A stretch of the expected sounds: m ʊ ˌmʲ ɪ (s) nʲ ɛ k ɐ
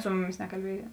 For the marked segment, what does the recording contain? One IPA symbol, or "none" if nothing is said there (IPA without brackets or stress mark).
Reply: s